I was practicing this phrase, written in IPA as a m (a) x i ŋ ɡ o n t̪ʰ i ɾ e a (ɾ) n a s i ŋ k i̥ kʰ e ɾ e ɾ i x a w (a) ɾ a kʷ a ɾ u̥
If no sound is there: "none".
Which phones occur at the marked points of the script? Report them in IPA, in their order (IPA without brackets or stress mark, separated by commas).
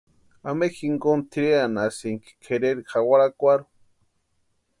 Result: e, none, a